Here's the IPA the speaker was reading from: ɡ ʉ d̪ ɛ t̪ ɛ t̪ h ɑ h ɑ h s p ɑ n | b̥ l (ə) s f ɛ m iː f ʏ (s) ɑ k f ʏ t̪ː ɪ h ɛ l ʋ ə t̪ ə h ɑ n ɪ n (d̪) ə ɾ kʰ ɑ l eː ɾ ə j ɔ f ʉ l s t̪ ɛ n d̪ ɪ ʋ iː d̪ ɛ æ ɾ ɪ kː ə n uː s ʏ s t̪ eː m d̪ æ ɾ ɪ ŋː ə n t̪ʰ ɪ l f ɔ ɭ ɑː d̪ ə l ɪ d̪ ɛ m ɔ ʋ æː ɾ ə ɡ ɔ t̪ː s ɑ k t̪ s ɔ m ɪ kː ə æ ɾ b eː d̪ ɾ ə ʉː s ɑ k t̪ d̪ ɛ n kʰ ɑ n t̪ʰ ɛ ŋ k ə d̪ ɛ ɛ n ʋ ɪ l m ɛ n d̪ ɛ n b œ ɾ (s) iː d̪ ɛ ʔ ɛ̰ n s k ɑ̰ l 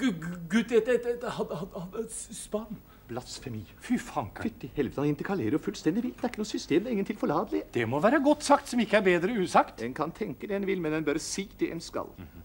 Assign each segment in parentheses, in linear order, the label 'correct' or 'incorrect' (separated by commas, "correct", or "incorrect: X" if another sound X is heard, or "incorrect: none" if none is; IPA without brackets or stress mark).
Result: incorrect: ɑ, incorrect: f, incorrect: t̪, correct